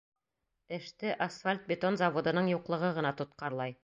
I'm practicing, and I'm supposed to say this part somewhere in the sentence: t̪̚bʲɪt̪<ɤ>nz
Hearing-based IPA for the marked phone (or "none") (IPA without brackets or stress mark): o